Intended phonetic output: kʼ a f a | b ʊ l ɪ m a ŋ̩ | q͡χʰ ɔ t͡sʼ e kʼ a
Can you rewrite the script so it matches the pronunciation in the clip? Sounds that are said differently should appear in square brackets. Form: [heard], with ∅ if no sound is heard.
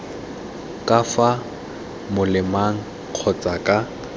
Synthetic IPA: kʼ a f a | [m] ʊ l ɪ m a ŋ̩ | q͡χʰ ɔ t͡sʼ [a] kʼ a